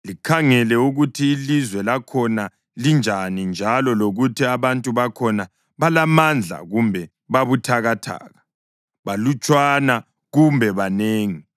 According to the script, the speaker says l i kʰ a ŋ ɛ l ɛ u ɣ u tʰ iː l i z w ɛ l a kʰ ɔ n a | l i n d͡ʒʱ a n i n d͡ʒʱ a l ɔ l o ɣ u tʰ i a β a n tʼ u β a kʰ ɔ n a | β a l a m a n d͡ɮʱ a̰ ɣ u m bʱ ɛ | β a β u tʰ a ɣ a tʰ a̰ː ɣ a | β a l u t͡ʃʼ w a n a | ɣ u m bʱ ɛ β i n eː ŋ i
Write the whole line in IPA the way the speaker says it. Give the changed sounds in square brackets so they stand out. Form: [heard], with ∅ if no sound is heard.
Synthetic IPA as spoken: l i kʰ a ŋ ɛ l ɛ u ɣ u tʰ iː l i z w ɛ l a kʰ ɔ n a | l i n d͡ʒʱ a n i n d͡ʒʱ a l ɔ l o ɣ u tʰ i a β a n tʼ u β a kʰ ɔ n a | β a l a m a n d͡ɮʱ a̰ ɣ u m bʱ ɛ | β a β u tʰ a ɣ a tʰ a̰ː ɣ a | β a l u t͡ʃʼ w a n a | ɣ u m bʱ ɛ β [a] n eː ŋ i